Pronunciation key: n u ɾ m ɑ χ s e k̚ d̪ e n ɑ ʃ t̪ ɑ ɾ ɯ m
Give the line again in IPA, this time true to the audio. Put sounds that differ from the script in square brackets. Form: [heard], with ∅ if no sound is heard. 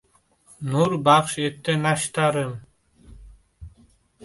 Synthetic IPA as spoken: n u ɾ [b] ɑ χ [ʃ] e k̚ [t̪] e n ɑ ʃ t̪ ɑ ɾ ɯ m